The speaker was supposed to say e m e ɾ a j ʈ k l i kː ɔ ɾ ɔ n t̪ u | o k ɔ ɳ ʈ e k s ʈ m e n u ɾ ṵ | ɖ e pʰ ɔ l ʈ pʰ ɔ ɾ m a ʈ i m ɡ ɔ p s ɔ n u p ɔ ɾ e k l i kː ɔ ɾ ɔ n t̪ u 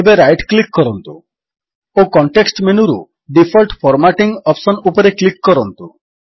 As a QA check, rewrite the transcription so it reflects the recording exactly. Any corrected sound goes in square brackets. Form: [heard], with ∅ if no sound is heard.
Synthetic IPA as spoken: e [b] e ɾ a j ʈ k l i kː ɔ ɾ ɔ n t̪ u | o k ɔ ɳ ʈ e k s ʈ m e n u ɾ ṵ | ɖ [i] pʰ ɔ l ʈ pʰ ɔ ɾ m a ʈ i [ŋ] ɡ ɔ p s ɔ n u p ɔ ɾ e k l i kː ɔ ɾ ɔ n t̪ u